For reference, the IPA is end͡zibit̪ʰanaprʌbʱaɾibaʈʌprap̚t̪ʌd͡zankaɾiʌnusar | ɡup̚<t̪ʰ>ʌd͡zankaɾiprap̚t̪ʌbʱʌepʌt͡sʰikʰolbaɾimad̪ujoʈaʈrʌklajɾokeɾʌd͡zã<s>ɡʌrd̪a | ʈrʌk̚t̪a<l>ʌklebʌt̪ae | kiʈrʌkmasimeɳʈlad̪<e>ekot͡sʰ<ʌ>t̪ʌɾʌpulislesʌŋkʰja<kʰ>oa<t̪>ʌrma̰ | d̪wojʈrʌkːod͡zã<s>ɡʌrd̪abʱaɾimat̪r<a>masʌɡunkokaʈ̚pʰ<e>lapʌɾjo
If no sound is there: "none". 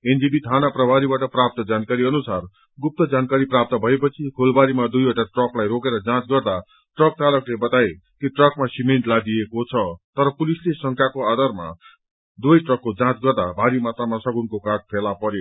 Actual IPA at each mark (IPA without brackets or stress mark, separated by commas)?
t̪, t͡s, l, i, ʌ, k, d̪, t͡s, a, e